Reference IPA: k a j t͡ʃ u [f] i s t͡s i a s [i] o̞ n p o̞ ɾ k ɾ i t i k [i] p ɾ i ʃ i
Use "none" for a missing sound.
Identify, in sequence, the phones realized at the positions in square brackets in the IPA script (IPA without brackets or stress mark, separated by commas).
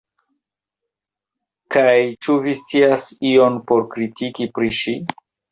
v, i, i